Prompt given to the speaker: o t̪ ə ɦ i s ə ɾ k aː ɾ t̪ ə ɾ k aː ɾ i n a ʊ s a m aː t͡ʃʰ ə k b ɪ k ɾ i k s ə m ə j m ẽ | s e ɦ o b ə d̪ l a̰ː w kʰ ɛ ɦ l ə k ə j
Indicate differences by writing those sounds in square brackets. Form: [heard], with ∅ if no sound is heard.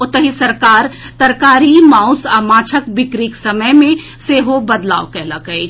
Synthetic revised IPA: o t̪ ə ɦ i s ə ɾ k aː ɾ t̪ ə ɾ k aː ɾ i [m] a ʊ s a m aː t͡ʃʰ ə k b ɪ k ɾ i k s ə m ə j m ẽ | s e ɦ o b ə d̪ l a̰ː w [k] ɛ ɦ l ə k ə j